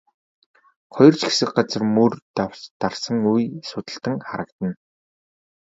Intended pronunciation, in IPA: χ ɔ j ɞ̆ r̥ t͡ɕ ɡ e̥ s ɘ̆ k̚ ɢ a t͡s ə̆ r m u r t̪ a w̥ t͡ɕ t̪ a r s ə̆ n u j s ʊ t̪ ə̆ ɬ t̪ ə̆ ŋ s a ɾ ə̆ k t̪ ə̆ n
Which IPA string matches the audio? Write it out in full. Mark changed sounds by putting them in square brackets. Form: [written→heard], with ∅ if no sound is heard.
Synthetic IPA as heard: χ ɔ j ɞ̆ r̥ t͡ɕ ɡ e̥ s ɘ̆ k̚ ɢ a t͡s ə̆ r m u r t̪ a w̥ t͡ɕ t̪ a r s ə̆ [n→ŋ] u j s ʊ t̪ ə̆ ɬ t̪ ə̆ ŋ [s→χ] a ɾ ə̆ k t̪ ə̆ n